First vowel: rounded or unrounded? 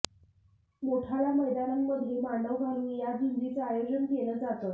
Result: rounded